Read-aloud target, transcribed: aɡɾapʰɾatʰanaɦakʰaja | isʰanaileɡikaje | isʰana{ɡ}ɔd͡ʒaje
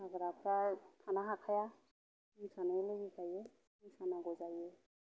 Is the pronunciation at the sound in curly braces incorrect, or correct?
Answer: correct